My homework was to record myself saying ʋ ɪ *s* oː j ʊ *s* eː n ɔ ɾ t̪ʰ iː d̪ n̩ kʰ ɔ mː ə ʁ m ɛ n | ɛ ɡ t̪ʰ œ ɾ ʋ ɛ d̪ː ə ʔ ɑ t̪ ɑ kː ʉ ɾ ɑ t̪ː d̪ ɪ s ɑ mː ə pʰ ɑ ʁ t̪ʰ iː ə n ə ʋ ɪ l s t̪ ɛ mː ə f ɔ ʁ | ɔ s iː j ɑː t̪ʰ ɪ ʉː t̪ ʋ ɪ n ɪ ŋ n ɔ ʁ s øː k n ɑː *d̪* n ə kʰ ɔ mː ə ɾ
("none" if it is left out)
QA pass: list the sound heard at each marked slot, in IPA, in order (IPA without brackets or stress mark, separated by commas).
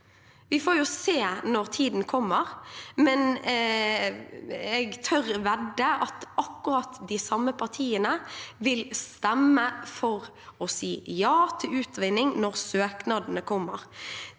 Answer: f, s, d̪